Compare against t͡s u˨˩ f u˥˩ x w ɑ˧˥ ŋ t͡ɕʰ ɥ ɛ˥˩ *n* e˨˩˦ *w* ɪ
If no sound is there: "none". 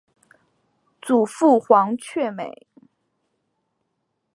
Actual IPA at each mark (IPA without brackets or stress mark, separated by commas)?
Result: m, none